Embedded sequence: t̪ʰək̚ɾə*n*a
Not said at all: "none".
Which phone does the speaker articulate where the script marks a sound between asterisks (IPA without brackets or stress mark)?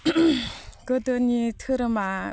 m